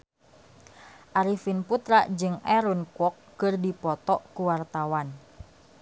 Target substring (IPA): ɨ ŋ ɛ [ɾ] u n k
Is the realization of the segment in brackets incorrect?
no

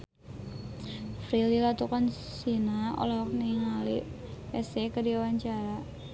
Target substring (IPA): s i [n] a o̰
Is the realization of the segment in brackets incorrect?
no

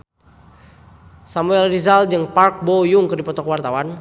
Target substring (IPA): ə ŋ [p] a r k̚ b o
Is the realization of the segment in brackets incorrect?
no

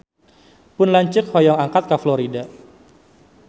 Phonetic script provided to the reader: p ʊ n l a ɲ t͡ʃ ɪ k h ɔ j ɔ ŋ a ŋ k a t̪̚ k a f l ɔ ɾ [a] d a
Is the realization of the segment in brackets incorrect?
yes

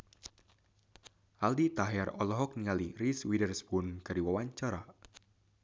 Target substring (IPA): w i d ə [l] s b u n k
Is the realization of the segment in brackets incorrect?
yes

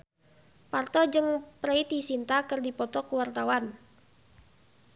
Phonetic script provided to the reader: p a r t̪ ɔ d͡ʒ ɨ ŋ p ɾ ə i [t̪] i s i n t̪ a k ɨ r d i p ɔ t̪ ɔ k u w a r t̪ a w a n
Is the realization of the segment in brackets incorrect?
no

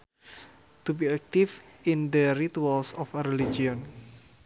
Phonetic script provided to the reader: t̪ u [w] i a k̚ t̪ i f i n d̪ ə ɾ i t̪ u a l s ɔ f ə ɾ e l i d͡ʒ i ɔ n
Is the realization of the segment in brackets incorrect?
yes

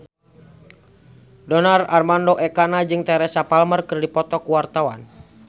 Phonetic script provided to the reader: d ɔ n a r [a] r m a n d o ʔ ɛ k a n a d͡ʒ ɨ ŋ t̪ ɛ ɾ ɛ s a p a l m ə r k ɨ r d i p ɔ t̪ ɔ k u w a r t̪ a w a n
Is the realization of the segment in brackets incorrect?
no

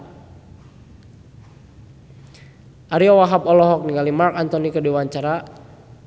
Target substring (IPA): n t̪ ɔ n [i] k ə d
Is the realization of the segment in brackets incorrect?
no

